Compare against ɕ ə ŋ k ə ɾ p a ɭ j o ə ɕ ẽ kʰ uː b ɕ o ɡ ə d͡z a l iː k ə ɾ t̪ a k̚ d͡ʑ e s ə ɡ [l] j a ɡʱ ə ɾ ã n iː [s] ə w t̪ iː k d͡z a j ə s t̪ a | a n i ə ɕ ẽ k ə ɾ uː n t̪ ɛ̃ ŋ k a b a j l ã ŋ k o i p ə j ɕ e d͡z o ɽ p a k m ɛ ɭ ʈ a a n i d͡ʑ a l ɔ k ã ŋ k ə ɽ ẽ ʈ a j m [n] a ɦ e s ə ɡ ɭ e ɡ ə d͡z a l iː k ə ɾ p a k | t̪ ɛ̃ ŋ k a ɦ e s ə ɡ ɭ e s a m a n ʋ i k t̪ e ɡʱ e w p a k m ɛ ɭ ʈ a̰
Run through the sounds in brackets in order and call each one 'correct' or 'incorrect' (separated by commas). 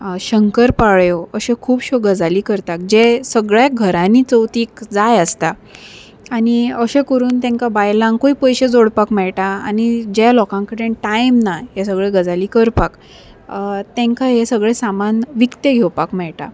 incorrect, incorrect, correct